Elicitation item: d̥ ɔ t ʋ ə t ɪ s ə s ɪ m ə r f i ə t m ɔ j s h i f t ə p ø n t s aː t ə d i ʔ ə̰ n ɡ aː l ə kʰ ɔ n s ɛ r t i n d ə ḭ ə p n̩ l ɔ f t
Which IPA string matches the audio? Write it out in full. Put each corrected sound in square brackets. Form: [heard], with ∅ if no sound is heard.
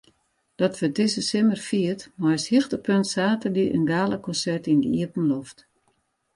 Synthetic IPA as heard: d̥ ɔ t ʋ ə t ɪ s ə s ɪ m ə r f i ə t m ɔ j s h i [x] t ə p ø n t s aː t ə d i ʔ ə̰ n ɡ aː l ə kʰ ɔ n s ɛ r t i n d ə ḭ ə p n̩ l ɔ f t